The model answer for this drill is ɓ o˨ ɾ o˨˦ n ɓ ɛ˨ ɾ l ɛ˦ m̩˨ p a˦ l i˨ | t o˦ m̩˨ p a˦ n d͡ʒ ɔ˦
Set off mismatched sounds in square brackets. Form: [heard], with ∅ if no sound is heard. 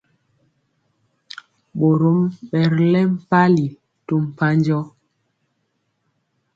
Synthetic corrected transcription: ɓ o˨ ɾ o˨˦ [m] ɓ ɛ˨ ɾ l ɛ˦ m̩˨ p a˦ l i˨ | t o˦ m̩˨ p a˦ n d͡ʒ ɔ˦